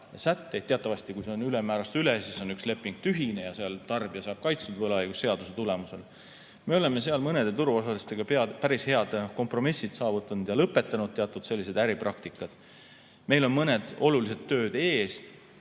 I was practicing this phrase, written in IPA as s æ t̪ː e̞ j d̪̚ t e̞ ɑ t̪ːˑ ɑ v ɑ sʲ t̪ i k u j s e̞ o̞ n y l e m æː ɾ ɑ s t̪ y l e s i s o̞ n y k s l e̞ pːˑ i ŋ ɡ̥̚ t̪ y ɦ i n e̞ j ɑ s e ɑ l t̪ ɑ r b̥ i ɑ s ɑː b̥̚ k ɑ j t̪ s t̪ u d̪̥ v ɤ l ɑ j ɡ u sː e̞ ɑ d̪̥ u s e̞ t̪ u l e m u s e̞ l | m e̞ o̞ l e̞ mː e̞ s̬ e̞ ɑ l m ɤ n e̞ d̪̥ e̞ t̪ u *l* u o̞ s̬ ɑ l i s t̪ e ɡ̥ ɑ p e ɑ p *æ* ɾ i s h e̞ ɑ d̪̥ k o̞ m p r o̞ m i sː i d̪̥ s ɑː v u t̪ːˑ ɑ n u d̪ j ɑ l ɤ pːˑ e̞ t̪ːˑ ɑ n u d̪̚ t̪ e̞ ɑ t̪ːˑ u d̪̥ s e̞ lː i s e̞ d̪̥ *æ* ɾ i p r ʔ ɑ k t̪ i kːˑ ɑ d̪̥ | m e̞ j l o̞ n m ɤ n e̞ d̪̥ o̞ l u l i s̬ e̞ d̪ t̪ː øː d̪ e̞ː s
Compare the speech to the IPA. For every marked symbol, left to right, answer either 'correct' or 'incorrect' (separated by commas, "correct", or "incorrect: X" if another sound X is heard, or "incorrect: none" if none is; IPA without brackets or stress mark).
incorrect: ɾ, correct, correct